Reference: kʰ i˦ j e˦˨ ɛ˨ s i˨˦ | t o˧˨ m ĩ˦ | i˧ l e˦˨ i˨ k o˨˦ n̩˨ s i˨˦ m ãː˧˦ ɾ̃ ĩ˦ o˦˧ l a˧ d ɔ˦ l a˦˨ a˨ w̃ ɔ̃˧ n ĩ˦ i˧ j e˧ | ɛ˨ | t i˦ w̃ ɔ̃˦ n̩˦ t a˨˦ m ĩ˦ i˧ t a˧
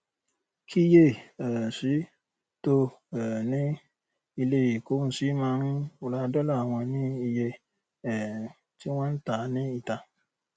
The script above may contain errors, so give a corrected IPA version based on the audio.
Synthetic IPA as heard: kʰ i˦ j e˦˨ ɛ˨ s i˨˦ | t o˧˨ n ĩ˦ | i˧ l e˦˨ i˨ k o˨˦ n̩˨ s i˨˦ m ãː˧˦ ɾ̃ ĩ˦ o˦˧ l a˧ d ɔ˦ l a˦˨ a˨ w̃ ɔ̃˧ n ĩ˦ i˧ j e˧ | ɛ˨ | t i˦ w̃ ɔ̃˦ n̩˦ t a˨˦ n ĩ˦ i˧ t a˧

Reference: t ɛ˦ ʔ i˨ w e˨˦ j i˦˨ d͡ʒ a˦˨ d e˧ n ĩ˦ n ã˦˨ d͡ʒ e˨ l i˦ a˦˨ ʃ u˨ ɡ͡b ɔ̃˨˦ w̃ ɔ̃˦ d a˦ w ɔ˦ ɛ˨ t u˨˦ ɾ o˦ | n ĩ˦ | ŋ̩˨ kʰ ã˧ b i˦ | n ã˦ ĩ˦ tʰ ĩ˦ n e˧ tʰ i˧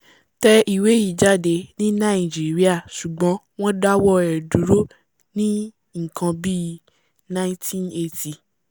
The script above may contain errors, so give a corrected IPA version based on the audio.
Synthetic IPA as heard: t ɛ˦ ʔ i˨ w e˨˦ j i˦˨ d͡ʒ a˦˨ d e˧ n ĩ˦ n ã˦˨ d͡ʒ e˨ ɾ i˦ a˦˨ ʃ u˨ ɡ͡b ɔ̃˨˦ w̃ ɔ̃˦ d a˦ w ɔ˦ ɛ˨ d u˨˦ ɾ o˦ | n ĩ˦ | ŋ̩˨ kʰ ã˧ b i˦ | n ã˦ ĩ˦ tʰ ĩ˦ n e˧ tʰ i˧

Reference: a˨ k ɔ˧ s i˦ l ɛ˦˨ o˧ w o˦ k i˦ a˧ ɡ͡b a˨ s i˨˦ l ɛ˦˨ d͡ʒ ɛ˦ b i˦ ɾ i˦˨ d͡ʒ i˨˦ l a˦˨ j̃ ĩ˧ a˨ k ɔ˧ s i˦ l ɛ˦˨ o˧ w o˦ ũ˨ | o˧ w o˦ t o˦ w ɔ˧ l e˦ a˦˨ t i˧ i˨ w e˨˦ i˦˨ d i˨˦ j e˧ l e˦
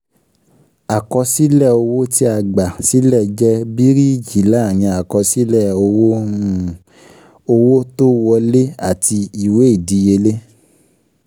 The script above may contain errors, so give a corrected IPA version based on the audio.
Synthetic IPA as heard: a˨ k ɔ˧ s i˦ l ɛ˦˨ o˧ w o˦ t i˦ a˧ ɡ͡b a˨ s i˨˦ l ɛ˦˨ d͡ʒ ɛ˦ b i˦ ɾ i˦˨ d͡ʒ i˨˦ l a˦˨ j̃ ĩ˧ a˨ k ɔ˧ s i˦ l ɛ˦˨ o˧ w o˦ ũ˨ | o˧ w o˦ t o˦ w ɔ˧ l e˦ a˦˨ t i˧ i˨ w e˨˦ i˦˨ d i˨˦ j e˧ l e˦

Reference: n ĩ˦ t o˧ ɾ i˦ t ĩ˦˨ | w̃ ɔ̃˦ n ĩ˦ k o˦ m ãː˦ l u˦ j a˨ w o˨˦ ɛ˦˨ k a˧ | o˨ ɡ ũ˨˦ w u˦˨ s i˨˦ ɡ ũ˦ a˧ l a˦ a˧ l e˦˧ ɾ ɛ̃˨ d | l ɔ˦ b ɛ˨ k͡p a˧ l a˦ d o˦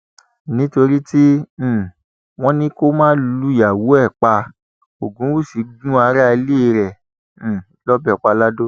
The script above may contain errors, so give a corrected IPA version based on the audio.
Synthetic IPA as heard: n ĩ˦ t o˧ ɾ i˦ t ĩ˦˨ | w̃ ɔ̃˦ n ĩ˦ k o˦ m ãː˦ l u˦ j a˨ w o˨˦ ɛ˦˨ k͡p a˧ | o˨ ɡ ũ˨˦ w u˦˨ s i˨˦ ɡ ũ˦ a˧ ɾ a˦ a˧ l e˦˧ ɾ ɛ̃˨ | l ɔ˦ b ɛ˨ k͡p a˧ l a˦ d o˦

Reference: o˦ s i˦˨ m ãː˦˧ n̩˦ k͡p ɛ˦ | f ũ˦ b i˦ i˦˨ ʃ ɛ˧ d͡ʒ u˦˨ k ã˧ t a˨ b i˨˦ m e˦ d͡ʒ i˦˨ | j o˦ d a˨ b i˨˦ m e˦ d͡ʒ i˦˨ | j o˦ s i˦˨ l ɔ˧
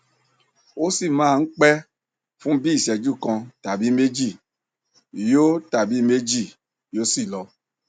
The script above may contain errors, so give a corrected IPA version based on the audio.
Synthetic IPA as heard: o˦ s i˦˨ m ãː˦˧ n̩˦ k͡p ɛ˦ | f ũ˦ b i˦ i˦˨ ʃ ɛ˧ d͡ʒ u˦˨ k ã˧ t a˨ b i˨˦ m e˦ d͡ʒ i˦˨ | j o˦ t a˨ b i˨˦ m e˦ d͡ʒ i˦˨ | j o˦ s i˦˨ l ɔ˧

